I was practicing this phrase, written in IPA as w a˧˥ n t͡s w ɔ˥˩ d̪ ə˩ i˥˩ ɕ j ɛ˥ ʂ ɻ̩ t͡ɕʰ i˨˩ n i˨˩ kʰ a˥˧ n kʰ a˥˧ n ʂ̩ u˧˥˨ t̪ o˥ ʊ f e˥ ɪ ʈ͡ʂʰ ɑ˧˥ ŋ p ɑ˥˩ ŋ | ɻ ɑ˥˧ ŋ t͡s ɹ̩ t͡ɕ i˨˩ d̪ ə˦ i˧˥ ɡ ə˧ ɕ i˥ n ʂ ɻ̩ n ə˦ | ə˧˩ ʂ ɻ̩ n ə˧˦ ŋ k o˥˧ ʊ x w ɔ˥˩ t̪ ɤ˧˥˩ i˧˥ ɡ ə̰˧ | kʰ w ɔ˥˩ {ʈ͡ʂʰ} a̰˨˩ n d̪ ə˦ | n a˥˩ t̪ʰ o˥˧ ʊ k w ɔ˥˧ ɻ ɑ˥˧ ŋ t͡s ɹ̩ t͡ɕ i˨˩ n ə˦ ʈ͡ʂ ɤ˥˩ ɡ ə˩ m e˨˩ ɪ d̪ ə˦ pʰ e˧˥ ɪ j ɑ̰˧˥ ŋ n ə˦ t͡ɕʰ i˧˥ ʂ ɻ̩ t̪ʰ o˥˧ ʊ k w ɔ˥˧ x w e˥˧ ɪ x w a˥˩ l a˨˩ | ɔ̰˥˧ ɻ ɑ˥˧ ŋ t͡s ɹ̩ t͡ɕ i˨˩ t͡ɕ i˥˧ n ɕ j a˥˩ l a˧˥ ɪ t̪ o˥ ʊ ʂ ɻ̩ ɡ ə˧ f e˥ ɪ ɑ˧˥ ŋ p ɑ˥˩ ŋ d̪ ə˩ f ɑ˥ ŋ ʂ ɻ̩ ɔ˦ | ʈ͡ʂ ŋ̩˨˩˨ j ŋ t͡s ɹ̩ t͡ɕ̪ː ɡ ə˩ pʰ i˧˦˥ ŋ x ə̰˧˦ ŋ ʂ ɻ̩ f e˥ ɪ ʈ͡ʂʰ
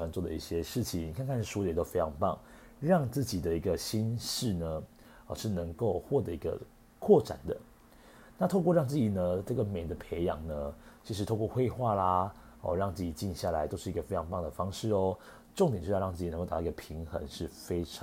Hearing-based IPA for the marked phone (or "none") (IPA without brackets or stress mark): ʈ͡ʂ